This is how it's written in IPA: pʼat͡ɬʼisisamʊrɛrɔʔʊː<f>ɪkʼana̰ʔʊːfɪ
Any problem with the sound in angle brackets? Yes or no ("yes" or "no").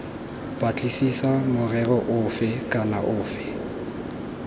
no